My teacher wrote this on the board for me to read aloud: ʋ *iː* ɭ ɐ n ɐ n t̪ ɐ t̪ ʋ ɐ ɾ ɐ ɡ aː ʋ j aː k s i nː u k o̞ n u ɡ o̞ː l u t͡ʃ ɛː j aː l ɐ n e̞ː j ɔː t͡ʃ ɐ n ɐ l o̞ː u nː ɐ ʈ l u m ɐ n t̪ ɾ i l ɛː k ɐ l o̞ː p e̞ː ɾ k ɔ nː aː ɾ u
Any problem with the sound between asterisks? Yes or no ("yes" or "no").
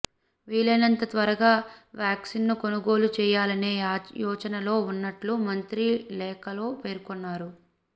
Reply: no